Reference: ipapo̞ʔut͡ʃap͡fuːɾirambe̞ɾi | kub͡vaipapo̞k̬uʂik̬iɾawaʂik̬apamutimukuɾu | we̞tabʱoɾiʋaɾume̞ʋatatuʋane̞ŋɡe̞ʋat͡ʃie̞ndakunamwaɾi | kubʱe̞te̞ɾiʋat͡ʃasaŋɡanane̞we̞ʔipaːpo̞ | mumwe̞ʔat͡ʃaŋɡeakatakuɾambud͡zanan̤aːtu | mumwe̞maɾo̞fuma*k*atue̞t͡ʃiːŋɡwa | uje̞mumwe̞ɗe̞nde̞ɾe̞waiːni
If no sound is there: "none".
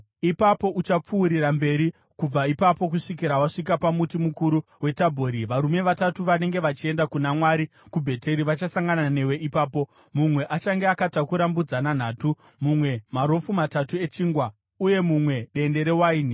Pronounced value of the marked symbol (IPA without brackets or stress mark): t